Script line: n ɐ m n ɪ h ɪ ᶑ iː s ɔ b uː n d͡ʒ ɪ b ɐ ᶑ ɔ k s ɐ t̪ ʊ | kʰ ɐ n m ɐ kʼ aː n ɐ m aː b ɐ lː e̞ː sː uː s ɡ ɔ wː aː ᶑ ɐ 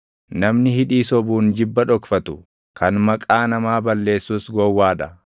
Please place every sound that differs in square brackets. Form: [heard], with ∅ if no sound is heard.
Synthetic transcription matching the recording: n ɐ m n ɪ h ɪ ᶑ iː s ɔ b uː n d͡ʒ ɪ [bː] ɐ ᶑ ɔ k [f] ɐ t̪ ʊ | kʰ ɐ n m ɐ kʼ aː n ɐ m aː b ɐ lː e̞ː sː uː s ɡ ɔ wː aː ᶑ ɐ